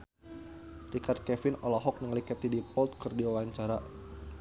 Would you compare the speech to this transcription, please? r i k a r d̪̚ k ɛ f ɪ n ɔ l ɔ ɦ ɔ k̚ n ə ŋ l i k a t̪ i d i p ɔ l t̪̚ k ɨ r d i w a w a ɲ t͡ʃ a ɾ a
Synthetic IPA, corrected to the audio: r i k a r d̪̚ k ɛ f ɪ n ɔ l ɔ ɦ ɔ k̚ n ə ŋ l i k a t̪ i d i p ɔ l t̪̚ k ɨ r d i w a w a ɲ t͡ʃ a ɾ a